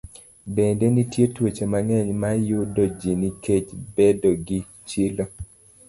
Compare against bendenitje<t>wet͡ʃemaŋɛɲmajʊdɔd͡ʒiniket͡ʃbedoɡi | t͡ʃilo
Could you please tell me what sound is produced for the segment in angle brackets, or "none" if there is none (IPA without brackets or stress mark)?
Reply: t